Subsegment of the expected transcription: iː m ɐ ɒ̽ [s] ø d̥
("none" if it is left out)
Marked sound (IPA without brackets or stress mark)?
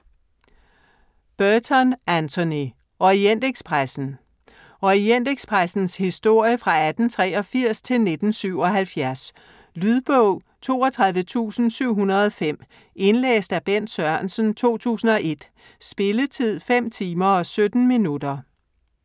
s